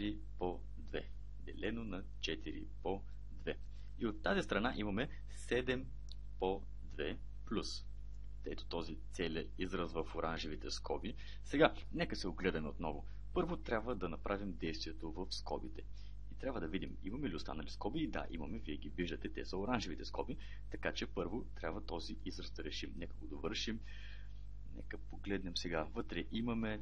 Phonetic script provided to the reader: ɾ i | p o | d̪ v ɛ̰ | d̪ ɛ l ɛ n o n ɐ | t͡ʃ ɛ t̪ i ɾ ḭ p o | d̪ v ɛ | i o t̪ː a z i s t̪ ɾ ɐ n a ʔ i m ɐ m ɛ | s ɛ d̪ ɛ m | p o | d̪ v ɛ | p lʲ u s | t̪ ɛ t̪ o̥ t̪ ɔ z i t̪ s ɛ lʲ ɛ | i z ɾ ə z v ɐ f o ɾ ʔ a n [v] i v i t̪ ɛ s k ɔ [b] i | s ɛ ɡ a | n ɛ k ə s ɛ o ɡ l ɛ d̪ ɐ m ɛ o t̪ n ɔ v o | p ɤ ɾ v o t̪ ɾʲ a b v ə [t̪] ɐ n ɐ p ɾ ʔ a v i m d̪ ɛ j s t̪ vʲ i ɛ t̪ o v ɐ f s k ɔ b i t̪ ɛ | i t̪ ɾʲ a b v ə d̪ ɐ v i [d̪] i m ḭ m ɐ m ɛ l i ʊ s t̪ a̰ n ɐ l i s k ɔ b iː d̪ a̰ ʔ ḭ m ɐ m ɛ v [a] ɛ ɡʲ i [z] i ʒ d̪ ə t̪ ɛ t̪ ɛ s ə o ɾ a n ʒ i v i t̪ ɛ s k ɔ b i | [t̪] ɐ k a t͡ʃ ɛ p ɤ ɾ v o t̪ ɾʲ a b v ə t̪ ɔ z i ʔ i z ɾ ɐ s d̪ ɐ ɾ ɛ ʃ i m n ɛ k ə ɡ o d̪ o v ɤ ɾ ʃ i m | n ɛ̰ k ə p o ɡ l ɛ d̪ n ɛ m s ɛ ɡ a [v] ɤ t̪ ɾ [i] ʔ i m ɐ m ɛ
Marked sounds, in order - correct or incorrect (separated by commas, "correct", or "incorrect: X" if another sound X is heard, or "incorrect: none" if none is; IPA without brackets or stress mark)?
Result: incorrect: ʒ, correct, incorrect: d̪, correct, incorrect: i, incorrect: v, correct, correct, incorrect: ɛ